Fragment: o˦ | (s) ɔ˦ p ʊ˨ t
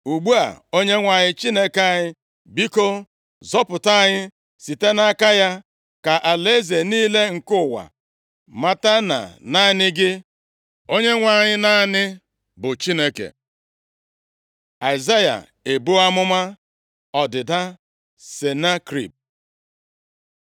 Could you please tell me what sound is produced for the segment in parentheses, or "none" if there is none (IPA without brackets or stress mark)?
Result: z